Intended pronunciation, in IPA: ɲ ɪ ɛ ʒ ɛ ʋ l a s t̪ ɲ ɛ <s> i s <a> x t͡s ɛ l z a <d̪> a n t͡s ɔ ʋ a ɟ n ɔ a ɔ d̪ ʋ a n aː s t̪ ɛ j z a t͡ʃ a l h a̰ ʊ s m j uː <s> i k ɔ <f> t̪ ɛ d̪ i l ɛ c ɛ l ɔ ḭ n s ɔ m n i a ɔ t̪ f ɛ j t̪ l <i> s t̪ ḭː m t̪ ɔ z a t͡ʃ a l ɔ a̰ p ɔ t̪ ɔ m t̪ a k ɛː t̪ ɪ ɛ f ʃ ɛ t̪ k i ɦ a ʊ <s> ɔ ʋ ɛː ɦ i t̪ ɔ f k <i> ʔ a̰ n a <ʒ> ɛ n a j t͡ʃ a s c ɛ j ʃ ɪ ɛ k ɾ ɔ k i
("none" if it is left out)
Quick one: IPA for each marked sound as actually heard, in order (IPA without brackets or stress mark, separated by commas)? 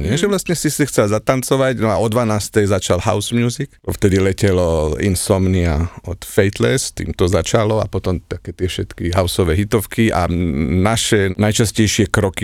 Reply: s, i, t̪, z, f, ɛ, s, i, ʃ